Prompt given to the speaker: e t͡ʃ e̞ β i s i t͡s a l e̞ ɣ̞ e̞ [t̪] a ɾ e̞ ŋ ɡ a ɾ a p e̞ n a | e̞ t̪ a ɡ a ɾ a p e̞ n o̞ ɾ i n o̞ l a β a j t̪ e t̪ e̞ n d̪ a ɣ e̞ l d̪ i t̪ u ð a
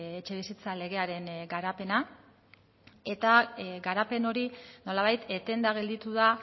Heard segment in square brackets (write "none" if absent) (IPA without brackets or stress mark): none